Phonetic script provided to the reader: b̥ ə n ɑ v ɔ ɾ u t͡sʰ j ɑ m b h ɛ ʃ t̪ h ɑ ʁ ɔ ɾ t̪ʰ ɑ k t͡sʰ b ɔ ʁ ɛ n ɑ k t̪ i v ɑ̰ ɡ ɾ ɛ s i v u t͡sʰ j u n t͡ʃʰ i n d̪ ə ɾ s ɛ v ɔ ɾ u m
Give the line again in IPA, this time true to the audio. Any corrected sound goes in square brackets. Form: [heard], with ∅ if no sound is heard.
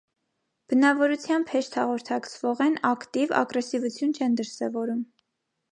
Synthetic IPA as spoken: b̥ ə n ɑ v ɔ ɾ u t͡sʰ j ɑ m b h ɛ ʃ t̪ h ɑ ʁ ɔ ɾ t̪ʰ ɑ k t͡sʰ [v] ɔ ʁ ɛ n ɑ k t̪ i v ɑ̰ ɡ ɾ ɛ s i v u t͡sʰ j u n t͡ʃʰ [ɛ] n d̪ ə ɾ s ɛ v ɔ ɾ u m